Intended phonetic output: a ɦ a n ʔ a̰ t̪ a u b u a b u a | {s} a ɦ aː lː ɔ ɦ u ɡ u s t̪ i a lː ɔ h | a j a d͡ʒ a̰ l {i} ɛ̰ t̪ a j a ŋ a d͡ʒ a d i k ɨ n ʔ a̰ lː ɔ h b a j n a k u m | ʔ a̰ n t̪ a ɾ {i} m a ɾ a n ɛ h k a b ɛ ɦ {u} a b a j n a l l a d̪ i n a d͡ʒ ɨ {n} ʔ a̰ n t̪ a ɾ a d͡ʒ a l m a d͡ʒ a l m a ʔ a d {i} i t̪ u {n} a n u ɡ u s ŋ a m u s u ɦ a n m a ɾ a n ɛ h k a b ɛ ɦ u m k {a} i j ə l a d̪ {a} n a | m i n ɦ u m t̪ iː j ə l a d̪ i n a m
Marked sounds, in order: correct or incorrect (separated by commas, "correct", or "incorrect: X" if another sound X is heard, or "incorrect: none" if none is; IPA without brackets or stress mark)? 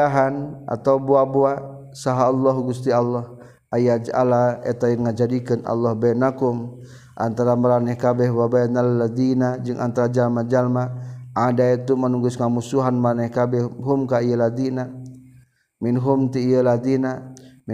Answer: correct, incorrect: a, incorrect: a, incorrect: w, incorrect: ŋ, incorrect: a, incorrect: m, correct, incorrect: i